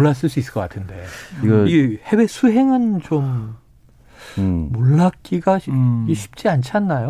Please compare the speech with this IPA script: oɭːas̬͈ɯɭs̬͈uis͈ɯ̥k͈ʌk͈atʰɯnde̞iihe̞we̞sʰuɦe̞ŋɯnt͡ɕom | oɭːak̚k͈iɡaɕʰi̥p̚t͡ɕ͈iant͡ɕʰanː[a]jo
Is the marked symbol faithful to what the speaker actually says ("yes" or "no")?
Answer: yes